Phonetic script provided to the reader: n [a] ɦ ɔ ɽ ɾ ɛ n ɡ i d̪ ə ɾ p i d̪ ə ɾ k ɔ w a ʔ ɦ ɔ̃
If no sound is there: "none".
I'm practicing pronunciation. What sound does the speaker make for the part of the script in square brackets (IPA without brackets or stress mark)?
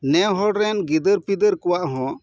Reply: ɛ